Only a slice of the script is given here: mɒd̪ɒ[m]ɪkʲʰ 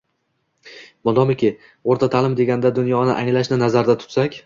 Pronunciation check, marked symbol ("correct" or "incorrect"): correct